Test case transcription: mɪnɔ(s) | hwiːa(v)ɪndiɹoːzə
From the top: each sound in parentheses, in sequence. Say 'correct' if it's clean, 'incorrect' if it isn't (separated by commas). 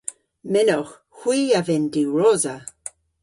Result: incorrect, correct